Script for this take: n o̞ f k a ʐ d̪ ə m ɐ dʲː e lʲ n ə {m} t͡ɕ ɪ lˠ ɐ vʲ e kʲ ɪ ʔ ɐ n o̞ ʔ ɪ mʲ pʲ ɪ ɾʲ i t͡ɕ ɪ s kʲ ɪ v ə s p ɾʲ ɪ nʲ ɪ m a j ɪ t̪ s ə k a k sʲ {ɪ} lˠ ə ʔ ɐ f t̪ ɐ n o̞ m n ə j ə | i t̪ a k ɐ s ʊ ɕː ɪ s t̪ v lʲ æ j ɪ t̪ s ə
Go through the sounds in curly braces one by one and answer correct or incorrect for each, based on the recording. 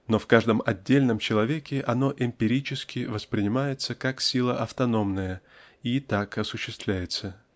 correct, incorrect: i

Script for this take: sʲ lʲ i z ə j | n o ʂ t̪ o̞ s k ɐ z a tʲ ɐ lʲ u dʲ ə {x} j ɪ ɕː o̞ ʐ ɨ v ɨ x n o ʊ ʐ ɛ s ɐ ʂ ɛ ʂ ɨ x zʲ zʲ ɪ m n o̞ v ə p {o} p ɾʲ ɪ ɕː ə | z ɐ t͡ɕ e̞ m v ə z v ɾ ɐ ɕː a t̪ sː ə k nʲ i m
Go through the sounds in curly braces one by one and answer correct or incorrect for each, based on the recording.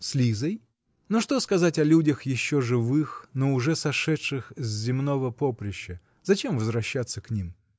correct, correct

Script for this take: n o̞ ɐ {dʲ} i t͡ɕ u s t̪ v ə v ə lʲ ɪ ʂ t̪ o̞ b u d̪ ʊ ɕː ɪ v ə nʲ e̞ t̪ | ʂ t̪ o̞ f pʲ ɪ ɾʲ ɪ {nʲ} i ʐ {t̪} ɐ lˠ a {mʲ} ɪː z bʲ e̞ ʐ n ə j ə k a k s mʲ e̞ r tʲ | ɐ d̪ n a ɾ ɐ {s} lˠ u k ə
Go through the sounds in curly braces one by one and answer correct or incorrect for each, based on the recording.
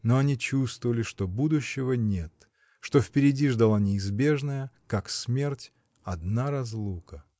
incorrect: nʲ, incorrect: dʲ, incorrect: d̪, incorrect: nʲ, incorrect: z

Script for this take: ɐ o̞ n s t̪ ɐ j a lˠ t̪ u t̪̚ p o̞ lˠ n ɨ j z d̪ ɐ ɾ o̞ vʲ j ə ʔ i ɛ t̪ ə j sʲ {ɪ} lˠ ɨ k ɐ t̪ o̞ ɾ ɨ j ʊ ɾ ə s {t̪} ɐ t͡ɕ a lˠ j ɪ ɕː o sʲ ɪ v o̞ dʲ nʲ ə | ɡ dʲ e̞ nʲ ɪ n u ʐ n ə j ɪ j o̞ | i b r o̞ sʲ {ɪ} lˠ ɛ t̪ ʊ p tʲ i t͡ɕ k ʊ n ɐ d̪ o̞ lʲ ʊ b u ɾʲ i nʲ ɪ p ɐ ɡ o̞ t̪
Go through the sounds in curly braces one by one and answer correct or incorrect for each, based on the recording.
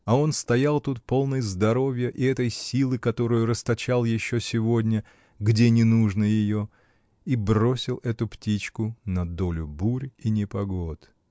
incorrect: i, correct, correct

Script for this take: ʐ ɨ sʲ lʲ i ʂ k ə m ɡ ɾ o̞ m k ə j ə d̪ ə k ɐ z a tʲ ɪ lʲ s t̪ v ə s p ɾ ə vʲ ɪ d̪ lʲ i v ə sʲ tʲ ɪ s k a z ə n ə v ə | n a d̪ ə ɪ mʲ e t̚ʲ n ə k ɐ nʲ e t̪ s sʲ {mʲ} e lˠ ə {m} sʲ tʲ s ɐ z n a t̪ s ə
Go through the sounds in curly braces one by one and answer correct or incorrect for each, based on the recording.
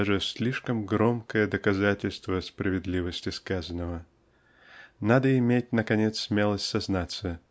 correct, incorrect: none

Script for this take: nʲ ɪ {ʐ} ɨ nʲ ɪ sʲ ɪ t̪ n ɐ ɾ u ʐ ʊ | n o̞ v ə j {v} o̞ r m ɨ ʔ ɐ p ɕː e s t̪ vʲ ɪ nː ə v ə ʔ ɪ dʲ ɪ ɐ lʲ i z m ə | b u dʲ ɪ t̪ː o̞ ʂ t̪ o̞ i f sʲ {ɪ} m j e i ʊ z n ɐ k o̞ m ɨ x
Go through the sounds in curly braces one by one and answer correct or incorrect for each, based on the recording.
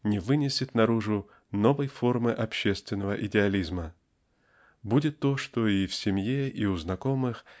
incorrect: v, incorrect: f, correct

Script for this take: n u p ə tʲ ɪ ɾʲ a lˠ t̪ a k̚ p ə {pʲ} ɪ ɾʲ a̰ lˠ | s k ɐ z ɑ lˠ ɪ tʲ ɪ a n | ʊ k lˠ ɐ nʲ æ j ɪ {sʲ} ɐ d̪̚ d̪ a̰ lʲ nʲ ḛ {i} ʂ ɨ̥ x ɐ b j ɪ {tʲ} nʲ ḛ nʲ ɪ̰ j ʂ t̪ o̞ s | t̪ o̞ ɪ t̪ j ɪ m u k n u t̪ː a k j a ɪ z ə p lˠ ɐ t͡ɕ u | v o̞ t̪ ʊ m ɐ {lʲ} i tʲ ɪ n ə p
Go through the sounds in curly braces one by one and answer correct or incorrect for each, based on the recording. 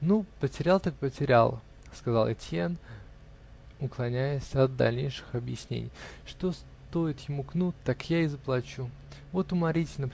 incorrect: tʲ, correct, incorrect: j, incorrect: sʲ, incorrect: ɾʲ

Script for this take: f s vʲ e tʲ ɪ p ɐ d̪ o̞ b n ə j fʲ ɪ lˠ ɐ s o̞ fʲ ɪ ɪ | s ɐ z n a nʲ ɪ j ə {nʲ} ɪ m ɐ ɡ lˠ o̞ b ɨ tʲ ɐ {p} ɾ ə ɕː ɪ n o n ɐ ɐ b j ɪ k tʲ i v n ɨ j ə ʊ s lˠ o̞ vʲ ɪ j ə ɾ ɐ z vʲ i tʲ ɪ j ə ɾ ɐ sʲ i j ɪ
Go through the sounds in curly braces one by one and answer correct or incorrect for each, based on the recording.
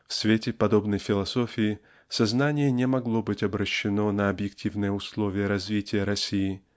correct, incorrect: b

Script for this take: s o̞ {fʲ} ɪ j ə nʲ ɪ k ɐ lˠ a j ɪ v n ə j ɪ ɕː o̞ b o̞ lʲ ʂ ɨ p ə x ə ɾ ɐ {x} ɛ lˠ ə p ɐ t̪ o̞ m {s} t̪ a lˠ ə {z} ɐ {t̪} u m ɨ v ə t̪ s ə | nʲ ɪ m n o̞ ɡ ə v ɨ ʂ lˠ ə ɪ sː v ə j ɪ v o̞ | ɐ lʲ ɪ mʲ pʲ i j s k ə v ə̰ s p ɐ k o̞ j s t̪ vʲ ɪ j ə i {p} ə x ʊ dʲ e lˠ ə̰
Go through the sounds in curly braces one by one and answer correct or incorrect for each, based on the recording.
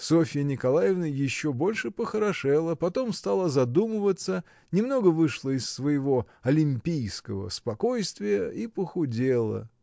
correct, incorrect: ʂ, correct, correct, incorrect: d̪, correct

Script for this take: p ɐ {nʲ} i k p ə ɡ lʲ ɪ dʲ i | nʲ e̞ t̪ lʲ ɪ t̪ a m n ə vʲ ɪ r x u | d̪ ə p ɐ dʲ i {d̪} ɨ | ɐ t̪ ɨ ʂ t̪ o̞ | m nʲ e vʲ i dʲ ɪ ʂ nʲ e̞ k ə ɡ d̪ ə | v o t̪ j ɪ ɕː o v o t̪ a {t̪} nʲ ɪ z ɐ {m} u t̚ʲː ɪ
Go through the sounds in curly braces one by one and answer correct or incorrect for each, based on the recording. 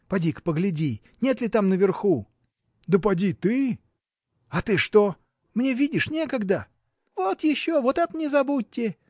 incorrect: dʲ, incorrect: t̪, correct, incorrect: b

